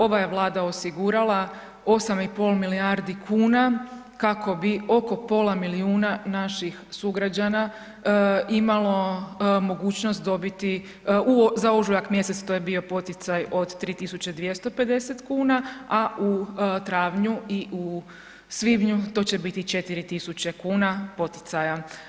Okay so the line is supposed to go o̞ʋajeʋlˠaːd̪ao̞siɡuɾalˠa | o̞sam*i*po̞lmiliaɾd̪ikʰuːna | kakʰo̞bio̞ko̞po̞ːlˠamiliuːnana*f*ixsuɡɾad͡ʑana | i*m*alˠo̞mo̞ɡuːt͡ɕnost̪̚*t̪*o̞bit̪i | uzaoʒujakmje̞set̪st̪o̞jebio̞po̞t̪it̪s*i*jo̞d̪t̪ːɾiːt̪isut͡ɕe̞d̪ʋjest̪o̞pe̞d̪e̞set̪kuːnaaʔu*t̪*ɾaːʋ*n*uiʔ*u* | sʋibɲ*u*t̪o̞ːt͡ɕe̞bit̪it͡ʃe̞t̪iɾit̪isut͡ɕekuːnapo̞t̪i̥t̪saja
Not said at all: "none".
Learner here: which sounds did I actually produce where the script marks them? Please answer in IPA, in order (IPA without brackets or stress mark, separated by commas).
i, ʃ, m, d̪, a, t̪, ɲ, u, u